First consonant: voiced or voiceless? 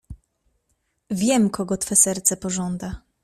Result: voiced